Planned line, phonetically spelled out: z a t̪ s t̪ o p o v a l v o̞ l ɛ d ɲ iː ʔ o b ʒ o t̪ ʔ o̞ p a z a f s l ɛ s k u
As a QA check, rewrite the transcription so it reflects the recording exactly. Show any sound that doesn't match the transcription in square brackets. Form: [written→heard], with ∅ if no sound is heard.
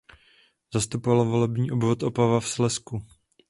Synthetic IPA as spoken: z a [t̪→∅] s t̪ [o→u] p o v a l v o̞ l ɛ [d→b] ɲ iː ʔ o b [ʒ→v] o t̪ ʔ o̞ p a [z→v] a f s l ɛ s k u